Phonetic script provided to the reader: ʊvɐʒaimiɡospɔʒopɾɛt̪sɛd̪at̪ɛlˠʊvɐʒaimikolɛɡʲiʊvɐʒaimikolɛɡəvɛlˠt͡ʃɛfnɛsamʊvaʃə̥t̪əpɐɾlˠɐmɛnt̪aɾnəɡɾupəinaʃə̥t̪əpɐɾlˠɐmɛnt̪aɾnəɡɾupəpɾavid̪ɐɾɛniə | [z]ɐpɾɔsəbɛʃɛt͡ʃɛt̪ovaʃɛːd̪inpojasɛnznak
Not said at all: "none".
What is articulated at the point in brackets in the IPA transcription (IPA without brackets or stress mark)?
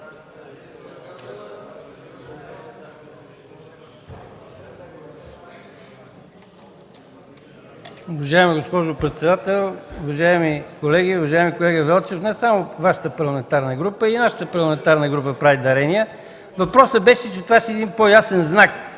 v